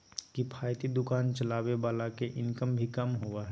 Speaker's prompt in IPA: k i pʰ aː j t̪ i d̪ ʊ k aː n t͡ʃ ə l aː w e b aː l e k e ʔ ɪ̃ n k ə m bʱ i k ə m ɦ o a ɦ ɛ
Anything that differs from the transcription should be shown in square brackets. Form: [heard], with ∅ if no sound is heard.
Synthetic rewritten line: k i pʰ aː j t̪ i d̪ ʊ k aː n t͡ʃ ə l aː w e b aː l [a] k e ʔ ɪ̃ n k ə m bʱ i k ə m ɦ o a ɦ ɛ